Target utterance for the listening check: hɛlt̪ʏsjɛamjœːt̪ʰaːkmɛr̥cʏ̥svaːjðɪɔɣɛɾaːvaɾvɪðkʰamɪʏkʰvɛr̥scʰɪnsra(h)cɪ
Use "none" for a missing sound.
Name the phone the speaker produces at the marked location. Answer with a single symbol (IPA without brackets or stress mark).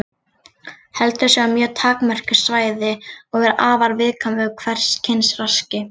s